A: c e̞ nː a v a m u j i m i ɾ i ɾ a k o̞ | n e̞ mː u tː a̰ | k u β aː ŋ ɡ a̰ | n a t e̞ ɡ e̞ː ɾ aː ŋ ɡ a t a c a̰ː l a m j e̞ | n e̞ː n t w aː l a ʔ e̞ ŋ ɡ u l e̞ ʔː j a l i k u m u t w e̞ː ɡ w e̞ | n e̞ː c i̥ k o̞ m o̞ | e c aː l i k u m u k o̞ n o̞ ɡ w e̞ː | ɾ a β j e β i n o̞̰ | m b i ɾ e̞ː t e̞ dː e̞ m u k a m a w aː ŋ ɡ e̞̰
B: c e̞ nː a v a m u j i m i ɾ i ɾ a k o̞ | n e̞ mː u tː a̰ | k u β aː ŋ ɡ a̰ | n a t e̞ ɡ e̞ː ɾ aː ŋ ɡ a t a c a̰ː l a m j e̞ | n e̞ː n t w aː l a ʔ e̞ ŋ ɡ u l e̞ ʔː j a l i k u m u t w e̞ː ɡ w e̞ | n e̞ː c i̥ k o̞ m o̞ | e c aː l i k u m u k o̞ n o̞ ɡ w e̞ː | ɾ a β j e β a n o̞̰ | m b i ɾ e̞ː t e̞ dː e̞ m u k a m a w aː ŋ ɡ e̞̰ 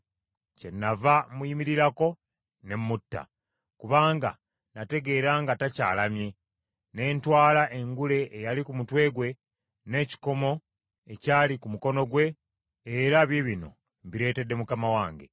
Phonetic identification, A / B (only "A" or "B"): A